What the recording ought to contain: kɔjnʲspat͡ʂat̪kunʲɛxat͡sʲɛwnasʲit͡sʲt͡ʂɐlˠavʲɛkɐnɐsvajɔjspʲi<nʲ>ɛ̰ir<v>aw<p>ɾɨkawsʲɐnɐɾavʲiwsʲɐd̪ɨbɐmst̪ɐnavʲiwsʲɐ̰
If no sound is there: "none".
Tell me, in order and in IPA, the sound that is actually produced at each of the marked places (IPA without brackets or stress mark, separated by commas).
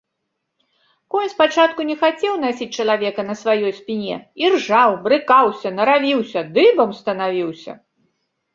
nʲ, ʐ, b